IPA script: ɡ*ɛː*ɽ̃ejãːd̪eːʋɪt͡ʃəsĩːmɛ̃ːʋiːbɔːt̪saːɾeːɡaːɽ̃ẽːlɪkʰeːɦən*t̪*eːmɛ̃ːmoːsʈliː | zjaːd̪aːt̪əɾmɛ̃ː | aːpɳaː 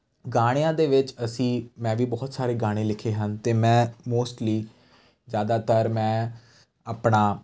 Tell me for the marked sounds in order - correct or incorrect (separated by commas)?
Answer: incorrect, correct